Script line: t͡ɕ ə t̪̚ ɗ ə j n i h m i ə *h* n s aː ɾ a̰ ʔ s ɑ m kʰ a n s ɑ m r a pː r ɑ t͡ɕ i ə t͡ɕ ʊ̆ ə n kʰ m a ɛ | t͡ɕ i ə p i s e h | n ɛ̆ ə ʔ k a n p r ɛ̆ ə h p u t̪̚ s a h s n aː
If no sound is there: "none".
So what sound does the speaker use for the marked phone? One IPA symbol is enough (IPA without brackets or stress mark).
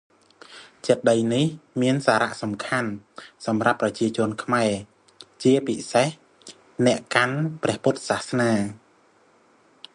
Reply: none